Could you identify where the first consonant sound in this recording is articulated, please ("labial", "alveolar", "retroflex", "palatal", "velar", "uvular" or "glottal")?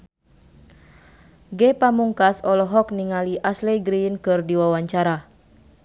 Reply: velar